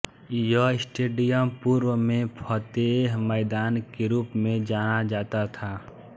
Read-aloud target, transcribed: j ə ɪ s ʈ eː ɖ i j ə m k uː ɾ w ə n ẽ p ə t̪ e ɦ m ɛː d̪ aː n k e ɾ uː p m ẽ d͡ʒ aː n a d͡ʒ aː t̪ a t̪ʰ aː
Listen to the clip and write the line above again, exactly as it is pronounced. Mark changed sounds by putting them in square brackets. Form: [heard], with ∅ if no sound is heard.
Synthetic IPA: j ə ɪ s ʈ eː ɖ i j ə m [p] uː ɾ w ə [m] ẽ [pʰ] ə t̪ e ɦ m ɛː d̪ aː n k e ɾ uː p m ẽ d͡ʒ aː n a d͡ʒ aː t̪ a t̪ʰ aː